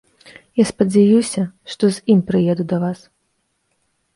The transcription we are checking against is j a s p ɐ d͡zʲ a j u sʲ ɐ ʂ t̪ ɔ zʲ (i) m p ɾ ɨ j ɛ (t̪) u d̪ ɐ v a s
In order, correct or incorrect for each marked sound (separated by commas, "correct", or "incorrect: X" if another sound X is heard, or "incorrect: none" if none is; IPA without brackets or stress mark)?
correct, incorrect: d̪